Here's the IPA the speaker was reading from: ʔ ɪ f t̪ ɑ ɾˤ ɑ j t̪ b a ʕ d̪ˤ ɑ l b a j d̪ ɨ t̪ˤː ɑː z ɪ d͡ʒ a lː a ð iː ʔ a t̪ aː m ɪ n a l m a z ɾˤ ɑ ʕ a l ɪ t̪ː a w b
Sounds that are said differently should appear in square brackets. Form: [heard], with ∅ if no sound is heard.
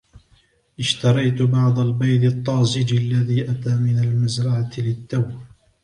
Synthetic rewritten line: ʔ ɪ [ʃ] t̪ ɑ ɾˤ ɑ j t̪ b [ɑ] ʕ d̪ˤ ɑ l b a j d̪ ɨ t̪ˤː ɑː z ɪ d͡ʒ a lː a ð iː ʔ a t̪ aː m ɪ n a l m a z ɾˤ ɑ ʕ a l ɪ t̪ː a w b